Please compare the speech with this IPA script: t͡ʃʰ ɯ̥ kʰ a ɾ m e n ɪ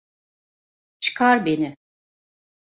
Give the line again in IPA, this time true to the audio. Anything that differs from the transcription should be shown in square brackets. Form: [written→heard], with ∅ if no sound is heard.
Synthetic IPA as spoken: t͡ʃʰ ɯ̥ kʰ a ɾ [m→b] e n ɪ